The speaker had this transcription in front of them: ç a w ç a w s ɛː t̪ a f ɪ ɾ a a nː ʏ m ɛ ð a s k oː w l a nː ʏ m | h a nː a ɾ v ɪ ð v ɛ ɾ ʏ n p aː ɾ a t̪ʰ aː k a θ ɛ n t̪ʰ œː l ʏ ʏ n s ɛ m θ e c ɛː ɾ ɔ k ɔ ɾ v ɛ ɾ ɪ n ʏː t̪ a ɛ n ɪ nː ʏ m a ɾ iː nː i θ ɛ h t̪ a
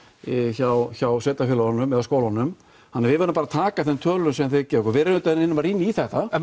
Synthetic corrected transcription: ç a w ç a w s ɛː t̪ a f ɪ l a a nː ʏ m ɛ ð a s k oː w l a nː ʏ m | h a nː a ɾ v ɪ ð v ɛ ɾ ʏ m p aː ɾ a t̪ʰ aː k a θ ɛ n t̪ʰ œː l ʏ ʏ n s ɛ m θ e c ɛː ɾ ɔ k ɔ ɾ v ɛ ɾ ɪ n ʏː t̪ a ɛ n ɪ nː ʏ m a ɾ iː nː i θ ɛ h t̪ a